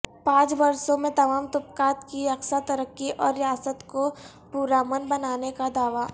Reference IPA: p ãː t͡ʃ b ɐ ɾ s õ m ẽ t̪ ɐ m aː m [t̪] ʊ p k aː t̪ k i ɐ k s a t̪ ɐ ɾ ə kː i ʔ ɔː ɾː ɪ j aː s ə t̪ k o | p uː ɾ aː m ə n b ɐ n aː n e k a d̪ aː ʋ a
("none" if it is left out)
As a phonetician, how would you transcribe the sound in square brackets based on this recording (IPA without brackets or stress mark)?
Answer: t̪